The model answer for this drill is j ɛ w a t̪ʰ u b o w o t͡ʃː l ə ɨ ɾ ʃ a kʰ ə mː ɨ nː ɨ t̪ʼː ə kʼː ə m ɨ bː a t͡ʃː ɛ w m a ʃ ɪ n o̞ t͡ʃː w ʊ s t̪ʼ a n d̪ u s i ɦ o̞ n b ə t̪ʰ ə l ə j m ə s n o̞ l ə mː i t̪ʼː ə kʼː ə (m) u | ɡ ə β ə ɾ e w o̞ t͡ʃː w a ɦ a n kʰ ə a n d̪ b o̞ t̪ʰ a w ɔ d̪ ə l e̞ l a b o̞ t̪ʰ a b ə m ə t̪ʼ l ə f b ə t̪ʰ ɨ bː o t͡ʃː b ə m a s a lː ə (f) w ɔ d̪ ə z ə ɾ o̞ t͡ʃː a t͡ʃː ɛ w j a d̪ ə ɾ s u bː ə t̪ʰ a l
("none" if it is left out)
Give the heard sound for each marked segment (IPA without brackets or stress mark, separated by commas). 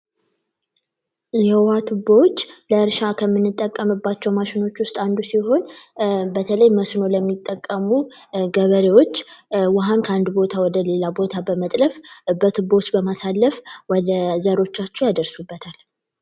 m, f